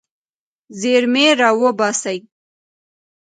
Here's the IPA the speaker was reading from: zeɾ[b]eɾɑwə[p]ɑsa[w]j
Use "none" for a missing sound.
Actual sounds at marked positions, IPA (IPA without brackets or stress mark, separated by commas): m, b, none